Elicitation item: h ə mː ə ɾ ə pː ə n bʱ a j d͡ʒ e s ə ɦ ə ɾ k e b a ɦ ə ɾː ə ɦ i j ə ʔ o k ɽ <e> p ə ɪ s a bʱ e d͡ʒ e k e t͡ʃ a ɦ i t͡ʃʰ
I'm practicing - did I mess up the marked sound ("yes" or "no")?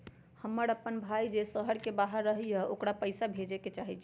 yes